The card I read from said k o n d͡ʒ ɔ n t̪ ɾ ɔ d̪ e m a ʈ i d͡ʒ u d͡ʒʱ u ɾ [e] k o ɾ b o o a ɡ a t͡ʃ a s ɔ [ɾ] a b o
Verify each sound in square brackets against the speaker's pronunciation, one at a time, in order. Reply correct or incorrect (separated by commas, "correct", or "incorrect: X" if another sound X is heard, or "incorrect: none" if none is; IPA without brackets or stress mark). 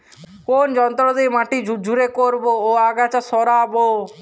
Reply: correct, correct